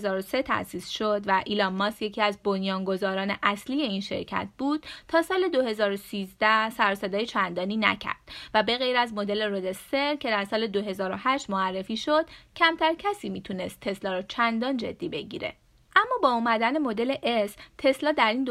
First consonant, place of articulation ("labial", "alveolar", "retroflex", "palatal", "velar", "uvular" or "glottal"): alveolar